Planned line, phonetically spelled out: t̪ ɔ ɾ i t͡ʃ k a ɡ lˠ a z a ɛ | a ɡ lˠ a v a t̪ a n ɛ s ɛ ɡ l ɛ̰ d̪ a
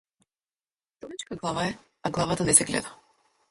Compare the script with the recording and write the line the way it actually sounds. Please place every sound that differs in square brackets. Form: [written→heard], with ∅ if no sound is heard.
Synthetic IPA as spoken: t̪ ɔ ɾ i t͡ʃ k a ɡ lˠ a [z→v] a ɛ | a ɡ lˠ a v a t̪ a n ɛ s ɛ ɡ l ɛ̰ d̪ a